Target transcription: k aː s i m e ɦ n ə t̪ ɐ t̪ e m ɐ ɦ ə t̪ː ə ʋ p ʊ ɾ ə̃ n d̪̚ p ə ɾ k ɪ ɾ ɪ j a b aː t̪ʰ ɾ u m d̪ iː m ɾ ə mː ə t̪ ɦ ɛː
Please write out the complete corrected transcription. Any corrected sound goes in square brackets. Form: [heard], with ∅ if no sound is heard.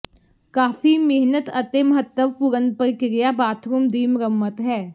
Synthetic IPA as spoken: k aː [f] i m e ɦ n ə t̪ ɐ t̪ e m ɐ ɦ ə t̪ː ə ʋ p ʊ ɾ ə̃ n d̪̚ p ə ɾ k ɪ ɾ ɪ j a b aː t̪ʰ ɾ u m d̪ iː m ɾ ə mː ə t̪ ɦ ɛː